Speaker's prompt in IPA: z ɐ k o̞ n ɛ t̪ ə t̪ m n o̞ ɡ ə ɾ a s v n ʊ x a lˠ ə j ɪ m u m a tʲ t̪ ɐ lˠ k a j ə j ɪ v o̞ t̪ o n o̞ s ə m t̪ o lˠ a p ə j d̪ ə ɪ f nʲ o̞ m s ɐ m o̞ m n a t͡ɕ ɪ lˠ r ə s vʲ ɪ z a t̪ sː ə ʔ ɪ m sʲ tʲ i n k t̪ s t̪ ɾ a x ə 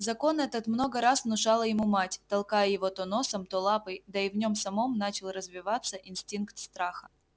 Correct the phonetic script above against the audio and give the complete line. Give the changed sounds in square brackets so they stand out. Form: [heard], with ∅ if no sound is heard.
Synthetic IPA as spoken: z ɐ k o̞ n ɛ t̪ ə t̪ m n o̞ ɡ ə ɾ a s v n ʊ [ʂ] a lˠ ə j ɪ m u m a tʲ t̪ ɐ lˠ k a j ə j ɪ v o̞ t̪ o n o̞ s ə m t̪ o lˠ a p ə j d̪ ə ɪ [v] nʲ o̞ m s ɐ m o̞ m n a t͡ɕ ɪ lˠ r ə [z] vʲ ɪ [v] a t̪ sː ə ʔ ɪ [n] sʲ tʲ i n k t̪ s t̪ ɾ a x ə

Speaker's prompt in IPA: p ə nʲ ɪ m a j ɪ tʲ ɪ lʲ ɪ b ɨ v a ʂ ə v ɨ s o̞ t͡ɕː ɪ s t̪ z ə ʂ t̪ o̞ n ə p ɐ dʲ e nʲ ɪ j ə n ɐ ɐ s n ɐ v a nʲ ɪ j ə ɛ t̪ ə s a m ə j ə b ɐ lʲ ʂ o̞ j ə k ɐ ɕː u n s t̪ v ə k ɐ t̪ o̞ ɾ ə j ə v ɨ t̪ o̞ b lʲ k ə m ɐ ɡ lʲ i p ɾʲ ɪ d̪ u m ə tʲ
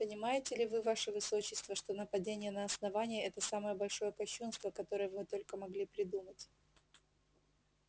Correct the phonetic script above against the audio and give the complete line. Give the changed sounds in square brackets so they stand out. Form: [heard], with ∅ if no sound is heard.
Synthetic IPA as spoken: p ə nʲ ɪ m a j ɪ tʲ ɪ lʲ ɪ [v] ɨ v a ʂ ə v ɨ s o̞ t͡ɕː ɪ s t̪ [v] ə ʂ t̪ o̞ n ə p ɐ dʲ e nʲ ɪ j ə n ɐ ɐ s n ɐ v a nʲ ɪ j ə ɛ t̪ ə s a m ə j ə b ɐ lʲ ʂ o̞ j ə k ɐ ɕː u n s t̪ v ə k ɐ t̪ o̞ ɾ ə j ə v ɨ t̪ o̞ [∅] lʲ k ə m ɐ ɡ lʲ i p ɾʲ ɪ d̪ u m ə tʲ

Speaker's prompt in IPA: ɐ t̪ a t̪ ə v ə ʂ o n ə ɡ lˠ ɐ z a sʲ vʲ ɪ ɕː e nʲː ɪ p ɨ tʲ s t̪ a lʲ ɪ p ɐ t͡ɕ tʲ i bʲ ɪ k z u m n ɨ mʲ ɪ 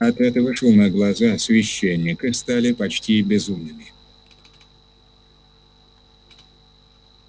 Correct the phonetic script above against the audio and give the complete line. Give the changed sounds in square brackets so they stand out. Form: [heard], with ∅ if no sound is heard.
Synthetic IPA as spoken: ɐ t̪ [ɛ] t̪ ə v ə ʂ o n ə ɡ lˠ ɐ z a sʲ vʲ ɪ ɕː e nʲː ɪ [k] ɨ [∅] s t̪ a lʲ ɪ p ɐ t͡ɕ tʲ i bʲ ɪ [∅] z u m n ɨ mʲ ɪ

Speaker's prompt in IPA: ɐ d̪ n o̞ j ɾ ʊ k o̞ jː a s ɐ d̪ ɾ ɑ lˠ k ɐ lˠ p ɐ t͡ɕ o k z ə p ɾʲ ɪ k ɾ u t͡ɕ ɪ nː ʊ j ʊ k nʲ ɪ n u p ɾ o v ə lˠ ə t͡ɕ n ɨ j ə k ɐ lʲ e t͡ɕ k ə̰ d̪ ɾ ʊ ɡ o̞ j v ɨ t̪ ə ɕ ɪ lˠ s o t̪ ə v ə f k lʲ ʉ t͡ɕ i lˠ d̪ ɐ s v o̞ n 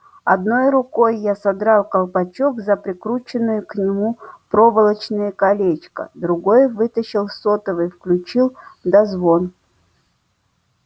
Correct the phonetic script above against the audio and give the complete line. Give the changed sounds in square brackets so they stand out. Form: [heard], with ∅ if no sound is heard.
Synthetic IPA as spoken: ɐ d̪ n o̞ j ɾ ʊ k o̞ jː a s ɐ d̪ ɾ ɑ lˠ k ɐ lˠ p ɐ t͡ɕ o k z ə p ɾʲ ɪ k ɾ u t͡ɕ ɪ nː ʊ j ʊ k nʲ ɪ [m] u p ɾ o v ə lˠ ə t͡ɕ n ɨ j ə k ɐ lʲ e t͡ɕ k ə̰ d̪ ɾ ʊ ɡ o̞ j v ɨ t̪ ə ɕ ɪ lˠ s o t̪ ə v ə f k lʲ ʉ t͡ɕ i lˠ d̪ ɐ [z] v o̞ n

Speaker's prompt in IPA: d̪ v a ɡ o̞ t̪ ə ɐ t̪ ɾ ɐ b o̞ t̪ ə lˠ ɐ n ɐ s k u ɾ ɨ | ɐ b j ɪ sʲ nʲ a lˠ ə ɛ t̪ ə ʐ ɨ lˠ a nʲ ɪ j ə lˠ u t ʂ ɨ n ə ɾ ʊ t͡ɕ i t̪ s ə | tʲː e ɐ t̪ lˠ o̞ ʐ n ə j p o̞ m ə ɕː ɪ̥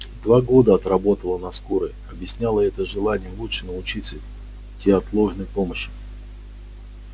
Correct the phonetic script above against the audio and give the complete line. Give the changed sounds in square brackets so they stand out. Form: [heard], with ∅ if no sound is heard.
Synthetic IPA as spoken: d̪ v a ɡ o̞ [d̪] ə ɐ t̪ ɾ ɐ b o̞ t̪ ə lˠ [ə] n ɐ s k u ɾ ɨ | ɐ b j ɪ sʲ nʲ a lˠ ə ɛ t̪ ə ʐ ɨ lˠ a nʲ ɪ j ə lˠ u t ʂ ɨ n ə [∅] ʊ t͡ɕ i t̪ s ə | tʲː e ɐ t̪ lˠ o̞ ʐ n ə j p o̞ m ə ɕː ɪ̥

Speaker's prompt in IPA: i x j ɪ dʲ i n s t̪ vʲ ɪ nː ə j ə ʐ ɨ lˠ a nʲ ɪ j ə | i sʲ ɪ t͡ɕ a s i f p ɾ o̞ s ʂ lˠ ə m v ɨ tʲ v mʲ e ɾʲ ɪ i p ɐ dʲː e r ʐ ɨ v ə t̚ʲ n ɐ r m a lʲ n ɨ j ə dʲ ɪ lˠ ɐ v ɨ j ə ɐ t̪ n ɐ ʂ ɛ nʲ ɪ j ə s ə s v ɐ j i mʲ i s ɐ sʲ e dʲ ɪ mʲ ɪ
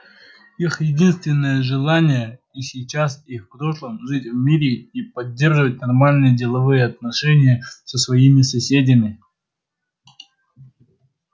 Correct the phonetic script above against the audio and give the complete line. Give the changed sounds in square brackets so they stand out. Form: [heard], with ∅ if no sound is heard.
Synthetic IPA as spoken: i x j ɪ dʲ i n s t̪ vʲ ɪ nː ə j ə ʐ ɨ lˠ a nʲ ɪ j ə | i sʲ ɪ t͡ɕ a s i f p ɾ o̞ [∅] ʂ lˠ ə m [ʐ] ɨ tʲ v mʲ [i] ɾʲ ɪ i p ɐ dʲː e r ʐ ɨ v ə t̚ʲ n ɐ r m a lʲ n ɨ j ə dʲ ɪ lˠ ɐ v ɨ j ə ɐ t̪ n ɐ ʂ ɛ nʲ ɪ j ə s ə s v ɐ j i mʲ [ɪ] s ɐ sʲ e dʲ ɪ mʲ ɪ

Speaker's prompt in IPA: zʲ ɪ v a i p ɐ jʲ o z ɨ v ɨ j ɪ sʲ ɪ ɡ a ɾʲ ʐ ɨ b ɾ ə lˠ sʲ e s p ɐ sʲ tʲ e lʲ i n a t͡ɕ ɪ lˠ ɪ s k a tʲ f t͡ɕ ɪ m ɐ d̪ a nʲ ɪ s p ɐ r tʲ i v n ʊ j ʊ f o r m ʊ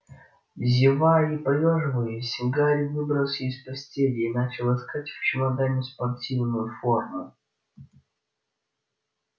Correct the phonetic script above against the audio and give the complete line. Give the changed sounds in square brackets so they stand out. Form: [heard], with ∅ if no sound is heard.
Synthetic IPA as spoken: zʲ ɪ v a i p ɐ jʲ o [ʐ] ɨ v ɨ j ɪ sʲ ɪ ɡ a ɾʲ [v] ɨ b ɾ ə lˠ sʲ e s p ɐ sʲ tʲ e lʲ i n a t͡ɕ ɪ lˠ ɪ s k a tʲ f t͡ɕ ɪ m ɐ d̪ a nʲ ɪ s p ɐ r tʲ i v n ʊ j ʊ f o r m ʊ

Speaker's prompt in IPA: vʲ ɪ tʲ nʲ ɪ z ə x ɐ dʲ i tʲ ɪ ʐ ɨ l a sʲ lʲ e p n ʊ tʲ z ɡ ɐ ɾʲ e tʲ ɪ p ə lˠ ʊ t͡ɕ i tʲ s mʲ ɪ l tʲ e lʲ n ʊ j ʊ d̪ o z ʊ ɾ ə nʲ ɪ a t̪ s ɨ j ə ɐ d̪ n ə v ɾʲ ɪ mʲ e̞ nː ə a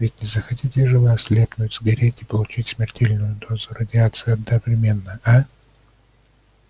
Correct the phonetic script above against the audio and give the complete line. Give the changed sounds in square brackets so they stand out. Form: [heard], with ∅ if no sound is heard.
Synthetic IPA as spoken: vʲ ɪ tʲ nʲ ɪ z ə x ɐ [tʲ] i tʲ ɪ ʐ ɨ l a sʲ lʲ e p n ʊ tʲ z ɡ ɐ ɾʲ e tʲ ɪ p ə lˠ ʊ t͡ɕ i tʲ s mʲ ɪ [r] tʲ e lʲ n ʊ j ʊ d̪ o z ʊ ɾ ə [dʲ] ɪ a t̪ s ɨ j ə ɐ d̪ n ə v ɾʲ ɪ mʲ e̞ nː ə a

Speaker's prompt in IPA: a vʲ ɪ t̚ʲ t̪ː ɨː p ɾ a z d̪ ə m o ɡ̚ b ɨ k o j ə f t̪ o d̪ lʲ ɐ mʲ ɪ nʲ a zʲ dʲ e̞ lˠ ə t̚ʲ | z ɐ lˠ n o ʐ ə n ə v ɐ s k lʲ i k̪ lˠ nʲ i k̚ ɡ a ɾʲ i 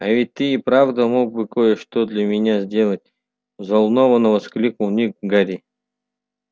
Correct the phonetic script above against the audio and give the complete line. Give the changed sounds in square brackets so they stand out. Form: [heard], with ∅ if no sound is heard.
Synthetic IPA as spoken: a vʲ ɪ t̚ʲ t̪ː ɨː p ɾ a [v] d̪ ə m o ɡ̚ b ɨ k o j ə [ʂ] t̪ o d̪ lʲ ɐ mʲ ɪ nʲ a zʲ dʲ e̞ lˠ ə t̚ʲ | z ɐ lˠ n o [v] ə n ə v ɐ s k lʲ i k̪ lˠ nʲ i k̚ ɡ a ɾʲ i

